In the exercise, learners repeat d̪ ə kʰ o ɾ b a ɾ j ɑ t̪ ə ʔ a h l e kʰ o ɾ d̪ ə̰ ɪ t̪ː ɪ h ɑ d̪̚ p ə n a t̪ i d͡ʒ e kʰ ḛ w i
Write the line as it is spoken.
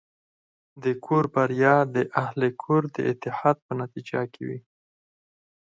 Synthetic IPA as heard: d̪ ə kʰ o ɾ b a ɾ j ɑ d̪ ə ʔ a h l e kʰ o ɾ d̪ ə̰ ɪ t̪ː ɪ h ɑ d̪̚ p ə n a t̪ i d͡ʒ a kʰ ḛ w i